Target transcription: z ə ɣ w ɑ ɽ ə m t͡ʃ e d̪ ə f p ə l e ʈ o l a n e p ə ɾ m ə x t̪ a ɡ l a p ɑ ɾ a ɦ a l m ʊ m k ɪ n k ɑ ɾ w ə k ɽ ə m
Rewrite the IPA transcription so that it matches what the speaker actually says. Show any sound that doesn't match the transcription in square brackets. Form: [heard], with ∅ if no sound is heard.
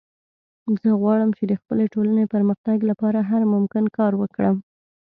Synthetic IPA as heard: z ə ɣ w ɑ ɽ ə m t͡ʃ e d̪ ə [x] p ə l e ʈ o l a n e p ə ɾ m ə x t̪ a ɡ l a p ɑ ɾ a ɦ a [ɾ] m ʊ m k ɪ n k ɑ ɾ w ə k ɽ ə m